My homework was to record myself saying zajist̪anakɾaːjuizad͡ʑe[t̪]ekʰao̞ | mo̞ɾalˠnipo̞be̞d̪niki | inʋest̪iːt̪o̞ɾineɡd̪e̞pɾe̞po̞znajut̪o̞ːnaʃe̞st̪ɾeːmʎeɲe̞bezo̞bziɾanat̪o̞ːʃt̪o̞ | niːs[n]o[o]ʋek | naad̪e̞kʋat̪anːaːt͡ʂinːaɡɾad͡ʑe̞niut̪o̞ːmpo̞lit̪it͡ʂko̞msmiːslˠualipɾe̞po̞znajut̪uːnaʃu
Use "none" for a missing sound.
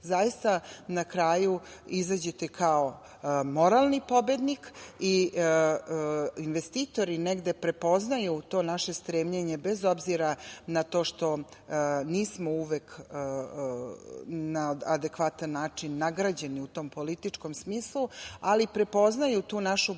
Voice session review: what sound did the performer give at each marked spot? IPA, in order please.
t̪, m, u

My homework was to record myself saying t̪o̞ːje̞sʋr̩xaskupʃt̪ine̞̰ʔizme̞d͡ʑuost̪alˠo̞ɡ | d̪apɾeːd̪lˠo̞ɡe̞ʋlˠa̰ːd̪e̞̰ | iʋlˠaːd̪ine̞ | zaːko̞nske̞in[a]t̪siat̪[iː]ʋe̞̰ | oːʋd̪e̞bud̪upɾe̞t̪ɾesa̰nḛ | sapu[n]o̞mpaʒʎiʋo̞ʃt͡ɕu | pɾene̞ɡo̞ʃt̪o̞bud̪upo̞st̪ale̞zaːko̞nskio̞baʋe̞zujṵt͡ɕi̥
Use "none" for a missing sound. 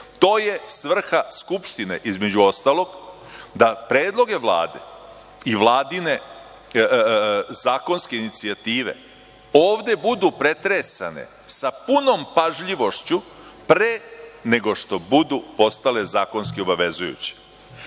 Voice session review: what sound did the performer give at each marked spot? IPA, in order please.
i, iː, n

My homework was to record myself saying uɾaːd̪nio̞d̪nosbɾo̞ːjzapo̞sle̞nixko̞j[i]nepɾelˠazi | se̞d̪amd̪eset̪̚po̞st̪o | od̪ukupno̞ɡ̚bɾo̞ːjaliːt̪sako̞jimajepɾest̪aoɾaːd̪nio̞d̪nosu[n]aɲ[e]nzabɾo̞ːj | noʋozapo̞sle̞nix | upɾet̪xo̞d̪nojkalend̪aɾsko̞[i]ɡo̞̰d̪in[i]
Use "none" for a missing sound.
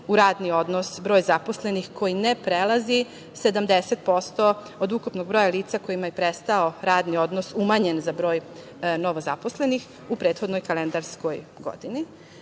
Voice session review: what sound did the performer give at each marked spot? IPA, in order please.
i, m, e, j, i

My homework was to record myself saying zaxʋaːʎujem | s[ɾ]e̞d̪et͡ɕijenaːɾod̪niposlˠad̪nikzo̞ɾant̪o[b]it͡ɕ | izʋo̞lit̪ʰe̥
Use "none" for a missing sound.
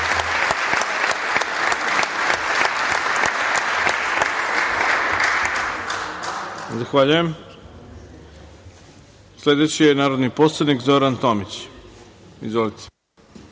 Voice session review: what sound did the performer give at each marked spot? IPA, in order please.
l, m

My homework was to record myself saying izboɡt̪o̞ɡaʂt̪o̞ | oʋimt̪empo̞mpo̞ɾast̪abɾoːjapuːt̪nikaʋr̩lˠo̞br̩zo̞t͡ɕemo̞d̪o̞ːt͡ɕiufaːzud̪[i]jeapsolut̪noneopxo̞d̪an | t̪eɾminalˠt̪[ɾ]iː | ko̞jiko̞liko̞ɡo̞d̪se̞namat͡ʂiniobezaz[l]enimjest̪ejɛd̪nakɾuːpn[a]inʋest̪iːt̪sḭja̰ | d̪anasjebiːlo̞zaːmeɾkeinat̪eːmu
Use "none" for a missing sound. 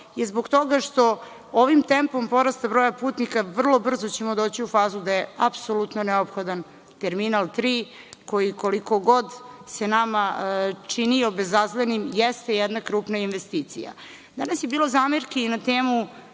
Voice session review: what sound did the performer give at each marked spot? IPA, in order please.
a, ɾ, l, a

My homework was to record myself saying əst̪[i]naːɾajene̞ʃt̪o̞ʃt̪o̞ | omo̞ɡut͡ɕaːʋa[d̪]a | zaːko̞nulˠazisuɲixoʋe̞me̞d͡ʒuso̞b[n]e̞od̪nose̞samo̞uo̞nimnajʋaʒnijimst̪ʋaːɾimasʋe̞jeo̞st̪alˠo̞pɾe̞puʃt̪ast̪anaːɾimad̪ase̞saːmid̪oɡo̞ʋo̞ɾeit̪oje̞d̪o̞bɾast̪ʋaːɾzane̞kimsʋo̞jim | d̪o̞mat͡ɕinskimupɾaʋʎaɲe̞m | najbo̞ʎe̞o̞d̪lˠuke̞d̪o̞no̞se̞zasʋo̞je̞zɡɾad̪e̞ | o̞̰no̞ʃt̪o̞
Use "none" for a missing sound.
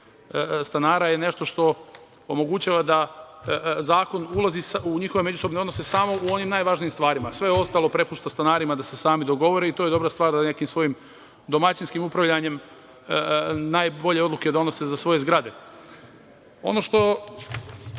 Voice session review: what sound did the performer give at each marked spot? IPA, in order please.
a, d̪, n

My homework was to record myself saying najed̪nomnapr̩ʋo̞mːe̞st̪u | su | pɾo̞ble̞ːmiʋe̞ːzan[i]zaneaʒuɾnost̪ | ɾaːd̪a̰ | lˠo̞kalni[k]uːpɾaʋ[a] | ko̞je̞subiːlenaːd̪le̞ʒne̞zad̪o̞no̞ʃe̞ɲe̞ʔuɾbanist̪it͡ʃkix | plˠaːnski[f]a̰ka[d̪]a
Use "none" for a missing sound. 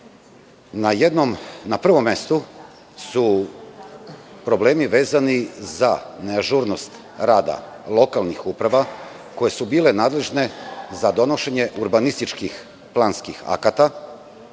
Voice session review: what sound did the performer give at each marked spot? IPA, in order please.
i, x, a, x, t̪

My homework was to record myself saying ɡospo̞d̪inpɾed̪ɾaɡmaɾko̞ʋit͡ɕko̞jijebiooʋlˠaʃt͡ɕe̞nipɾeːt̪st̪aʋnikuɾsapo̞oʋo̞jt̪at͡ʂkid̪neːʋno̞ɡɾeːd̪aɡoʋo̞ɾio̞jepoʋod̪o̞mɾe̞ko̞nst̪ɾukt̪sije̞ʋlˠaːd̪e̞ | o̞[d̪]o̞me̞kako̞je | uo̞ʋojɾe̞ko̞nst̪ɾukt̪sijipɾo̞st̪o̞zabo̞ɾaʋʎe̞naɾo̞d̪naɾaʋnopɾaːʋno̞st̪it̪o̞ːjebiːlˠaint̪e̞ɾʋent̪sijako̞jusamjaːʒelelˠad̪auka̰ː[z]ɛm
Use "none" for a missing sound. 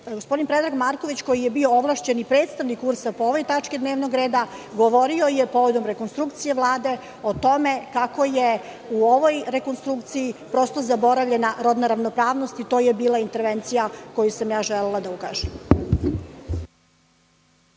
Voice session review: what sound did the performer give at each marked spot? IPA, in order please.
t̪, ʒ

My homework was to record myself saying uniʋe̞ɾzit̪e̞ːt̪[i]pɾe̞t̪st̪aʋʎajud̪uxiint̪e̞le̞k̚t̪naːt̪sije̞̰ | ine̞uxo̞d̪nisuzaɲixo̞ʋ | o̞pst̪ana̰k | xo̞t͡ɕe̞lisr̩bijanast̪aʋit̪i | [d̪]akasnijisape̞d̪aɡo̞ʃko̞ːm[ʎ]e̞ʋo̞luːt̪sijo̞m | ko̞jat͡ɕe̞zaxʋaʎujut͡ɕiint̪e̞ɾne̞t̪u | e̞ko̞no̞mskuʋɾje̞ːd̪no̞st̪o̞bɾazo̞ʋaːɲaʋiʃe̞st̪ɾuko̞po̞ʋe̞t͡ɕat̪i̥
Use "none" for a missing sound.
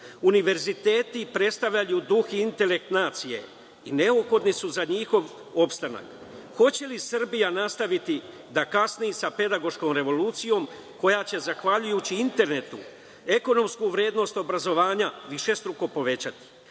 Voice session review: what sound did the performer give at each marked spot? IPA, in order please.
i, d̪, ɾ

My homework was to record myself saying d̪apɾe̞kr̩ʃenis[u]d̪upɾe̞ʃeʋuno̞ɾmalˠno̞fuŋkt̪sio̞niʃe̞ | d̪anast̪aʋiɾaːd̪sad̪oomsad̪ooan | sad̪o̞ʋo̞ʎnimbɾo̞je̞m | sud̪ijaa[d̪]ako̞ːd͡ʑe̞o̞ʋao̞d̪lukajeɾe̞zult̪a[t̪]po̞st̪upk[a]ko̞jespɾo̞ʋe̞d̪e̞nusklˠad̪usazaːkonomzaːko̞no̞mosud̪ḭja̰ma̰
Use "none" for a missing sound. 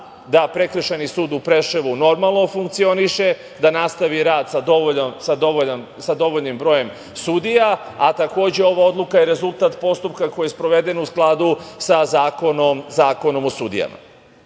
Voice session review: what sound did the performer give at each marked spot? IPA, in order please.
uː, t̪, t̪, a

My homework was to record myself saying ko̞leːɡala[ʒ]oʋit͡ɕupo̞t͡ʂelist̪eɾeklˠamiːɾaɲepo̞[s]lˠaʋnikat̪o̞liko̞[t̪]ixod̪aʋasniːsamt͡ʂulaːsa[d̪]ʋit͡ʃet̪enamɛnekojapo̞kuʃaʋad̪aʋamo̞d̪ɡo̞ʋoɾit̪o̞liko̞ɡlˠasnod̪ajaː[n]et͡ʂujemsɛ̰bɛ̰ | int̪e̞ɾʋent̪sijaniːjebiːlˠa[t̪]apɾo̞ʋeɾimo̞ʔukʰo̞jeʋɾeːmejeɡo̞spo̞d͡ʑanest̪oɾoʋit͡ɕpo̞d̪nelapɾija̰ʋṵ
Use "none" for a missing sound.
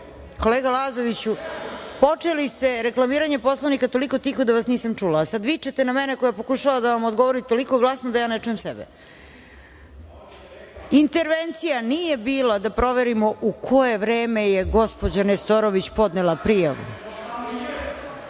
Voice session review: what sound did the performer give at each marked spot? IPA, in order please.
z, s, t̪, d̪, n, d̪

